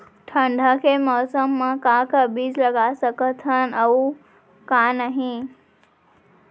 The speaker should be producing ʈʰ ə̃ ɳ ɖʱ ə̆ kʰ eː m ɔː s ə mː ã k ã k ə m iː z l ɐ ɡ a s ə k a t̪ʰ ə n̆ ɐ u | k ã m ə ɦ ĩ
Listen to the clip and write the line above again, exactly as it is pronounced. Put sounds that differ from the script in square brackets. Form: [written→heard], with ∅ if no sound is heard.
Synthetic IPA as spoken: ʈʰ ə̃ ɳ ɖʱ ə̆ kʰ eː m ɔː s ə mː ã k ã k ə [m→b] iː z l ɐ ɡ a s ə k [a→ə] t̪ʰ ə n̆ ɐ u | k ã [m→n] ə ɦ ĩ